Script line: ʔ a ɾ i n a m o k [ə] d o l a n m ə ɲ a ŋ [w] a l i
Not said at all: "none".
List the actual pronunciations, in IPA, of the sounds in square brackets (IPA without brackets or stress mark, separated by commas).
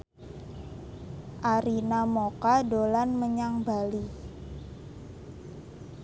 a, b